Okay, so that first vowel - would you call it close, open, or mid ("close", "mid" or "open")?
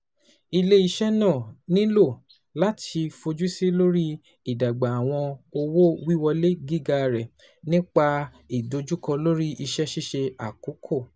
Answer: close